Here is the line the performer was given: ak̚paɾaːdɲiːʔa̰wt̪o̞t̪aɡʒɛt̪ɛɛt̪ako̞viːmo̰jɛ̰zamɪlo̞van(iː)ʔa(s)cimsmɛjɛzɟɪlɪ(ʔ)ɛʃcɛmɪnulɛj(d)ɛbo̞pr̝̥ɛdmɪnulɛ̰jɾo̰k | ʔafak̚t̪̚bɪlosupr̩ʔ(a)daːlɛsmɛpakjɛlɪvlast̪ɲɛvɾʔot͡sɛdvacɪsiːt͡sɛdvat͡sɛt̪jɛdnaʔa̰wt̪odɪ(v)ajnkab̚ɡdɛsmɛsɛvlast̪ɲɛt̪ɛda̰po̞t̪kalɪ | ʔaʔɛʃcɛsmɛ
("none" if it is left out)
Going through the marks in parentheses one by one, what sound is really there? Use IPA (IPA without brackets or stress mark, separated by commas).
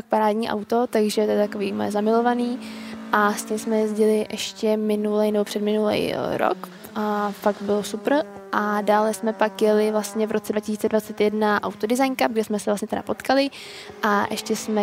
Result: iː, s, ʔ, n, a, z